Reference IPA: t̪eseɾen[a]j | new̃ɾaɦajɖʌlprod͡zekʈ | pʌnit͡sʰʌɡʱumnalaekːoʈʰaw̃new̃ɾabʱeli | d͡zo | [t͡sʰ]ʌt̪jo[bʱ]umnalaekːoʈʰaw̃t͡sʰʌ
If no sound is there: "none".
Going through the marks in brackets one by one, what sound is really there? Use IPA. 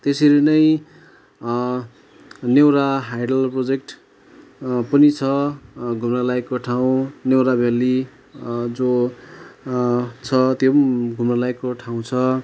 ʌ, t͡sʰ, ɡʱ

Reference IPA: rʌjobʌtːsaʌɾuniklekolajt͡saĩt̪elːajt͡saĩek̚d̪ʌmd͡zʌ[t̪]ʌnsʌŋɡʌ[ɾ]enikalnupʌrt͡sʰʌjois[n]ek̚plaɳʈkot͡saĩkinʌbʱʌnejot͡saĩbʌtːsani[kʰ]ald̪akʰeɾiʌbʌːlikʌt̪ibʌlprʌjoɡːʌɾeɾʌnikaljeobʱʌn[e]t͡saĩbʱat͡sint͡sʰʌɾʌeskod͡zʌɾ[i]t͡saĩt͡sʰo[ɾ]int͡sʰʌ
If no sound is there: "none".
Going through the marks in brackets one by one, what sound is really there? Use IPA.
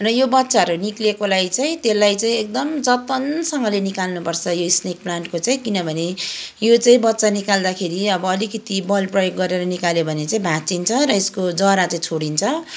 t̪, l, n, k, e, a, ɽ

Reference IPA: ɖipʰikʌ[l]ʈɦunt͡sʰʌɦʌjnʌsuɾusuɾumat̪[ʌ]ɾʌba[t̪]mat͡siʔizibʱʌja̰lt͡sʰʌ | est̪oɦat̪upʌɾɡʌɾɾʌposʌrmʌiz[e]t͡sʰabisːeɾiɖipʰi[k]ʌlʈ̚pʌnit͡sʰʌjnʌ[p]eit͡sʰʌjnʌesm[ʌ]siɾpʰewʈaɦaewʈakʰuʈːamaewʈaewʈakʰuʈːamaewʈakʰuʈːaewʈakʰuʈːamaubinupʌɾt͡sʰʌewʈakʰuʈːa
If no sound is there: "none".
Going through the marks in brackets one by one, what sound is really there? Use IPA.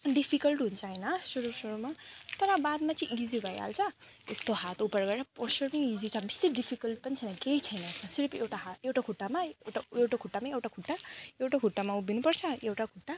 l, ʌ, d̪, i, k, k, a

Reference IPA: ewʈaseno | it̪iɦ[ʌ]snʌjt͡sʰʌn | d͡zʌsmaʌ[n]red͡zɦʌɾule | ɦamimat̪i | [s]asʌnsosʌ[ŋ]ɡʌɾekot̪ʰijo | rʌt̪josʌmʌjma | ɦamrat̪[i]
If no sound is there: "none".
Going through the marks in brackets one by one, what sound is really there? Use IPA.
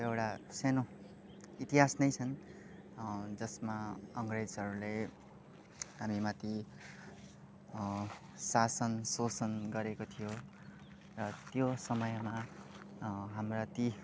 a, ŋ, s, n, i

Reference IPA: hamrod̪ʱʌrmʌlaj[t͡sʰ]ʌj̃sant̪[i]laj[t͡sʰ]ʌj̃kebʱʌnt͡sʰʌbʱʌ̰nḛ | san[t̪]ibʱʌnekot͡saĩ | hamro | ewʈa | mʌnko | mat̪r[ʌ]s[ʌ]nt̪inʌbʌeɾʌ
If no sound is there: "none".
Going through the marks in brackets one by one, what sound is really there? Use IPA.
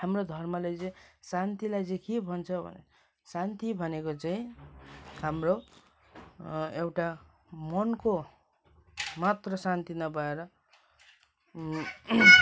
t͡s, i, t͡s, t̪, ʌ, a

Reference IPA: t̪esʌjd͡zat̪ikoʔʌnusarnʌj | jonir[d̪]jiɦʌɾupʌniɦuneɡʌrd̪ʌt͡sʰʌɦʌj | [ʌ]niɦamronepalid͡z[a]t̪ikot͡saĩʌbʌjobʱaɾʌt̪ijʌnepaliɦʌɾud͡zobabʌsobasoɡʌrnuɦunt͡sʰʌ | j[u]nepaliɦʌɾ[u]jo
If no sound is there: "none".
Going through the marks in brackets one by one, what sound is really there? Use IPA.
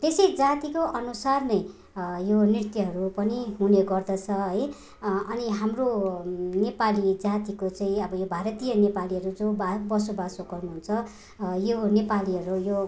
t̪, ʌ, a, o, u

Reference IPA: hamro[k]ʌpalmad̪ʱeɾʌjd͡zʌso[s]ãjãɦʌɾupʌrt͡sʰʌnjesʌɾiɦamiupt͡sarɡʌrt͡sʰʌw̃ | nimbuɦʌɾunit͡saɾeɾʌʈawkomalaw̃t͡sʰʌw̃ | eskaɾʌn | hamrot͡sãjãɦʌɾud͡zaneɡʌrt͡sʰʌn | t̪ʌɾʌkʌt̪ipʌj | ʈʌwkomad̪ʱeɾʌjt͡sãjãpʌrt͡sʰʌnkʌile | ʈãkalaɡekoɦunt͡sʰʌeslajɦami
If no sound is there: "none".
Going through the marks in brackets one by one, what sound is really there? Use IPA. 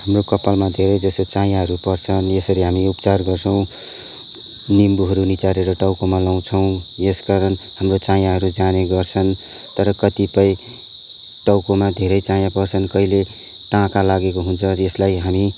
k, t͡s

